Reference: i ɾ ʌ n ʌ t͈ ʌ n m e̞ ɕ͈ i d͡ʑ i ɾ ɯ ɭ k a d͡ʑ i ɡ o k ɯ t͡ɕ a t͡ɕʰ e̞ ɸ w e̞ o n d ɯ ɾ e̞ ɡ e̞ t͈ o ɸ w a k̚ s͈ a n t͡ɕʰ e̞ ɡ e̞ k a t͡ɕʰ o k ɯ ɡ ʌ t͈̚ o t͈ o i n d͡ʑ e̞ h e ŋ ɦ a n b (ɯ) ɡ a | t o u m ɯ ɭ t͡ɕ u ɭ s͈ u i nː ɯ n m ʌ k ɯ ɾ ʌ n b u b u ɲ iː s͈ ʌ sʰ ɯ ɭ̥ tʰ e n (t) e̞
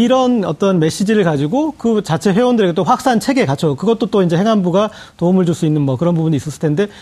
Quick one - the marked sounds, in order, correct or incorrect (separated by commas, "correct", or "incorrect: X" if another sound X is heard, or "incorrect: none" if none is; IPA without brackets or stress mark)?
incorrect: u, incorrect: d